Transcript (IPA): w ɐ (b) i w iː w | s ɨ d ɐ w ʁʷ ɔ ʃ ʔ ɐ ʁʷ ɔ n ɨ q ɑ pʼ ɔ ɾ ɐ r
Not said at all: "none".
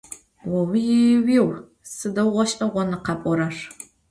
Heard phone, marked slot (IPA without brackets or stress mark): w